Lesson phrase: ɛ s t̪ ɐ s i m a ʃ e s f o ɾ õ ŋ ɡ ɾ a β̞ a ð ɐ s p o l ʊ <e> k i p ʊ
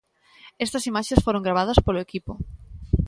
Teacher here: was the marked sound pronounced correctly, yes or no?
yes